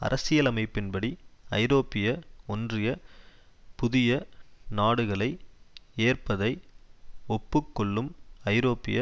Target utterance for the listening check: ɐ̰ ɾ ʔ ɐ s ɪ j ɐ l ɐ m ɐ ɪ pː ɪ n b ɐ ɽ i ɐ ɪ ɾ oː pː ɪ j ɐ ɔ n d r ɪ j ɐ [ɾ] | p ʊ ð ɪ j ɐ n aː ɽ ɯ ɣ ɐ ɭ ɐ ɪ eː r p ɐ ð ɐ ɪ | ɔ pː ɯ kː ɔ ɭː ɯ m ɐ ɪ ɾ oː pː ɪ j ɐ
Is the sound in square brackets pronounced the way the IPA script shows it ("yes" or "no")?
no